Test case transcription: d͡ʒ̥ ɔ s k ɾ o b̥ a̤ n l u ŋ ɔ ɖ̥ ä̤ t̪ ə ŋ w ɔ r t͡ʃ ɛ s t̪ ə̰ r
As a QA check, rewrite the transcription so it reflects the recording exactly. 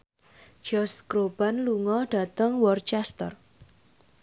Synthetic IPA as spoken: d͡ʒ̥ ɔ s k ɾ o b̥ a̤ n l u ŋ ɔ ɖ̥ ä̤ t̪ ə ŋ w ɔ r t͡ʃ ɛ s t̪ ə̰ r